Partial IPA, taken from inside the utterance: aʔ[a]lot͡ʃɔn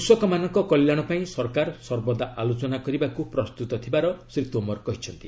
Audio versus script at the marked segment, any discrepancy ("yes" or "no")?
no